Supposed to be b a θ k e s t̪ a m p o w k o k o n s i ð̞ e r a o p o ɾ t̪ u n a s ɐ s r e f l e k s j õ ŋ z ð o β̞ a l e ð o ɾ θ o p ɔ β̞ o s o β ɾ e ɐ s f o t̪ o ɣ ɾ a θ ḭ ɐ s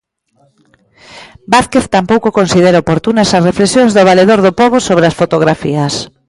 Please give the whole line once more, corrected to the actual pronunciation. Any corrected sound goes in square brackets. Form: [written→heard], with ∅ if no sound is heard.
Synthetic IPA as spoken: b a θ k e [s→θ] t̪ a m p o w k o k o n s i ð̞ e [r→ɾ] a o p o ɾ t̪ u n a s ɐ s r e f l e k s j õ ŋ z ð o β̞ a l e ð o ɾ [θ→ð] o p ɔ β̞ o s o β ɾ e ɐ s f o t̪ o ɣ ɾ a [θ→f] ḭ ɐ s